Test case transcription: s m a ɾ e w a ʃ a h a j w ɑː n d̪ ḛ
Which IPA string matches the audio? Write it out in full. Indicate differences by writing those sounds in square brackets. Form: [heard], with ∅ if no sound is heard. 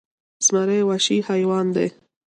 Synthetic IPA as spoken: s m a ɾ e w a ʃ [i] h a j w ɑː n d̪ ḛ